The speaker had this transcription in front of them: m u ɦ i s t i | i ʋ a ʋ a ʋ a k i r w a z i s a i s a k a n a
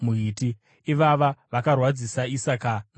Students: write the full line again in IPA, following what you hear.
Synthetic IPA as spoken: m u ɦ i t i | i ʋ a ʋ a ʋ a k a r w a d͡z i s a i s a k a n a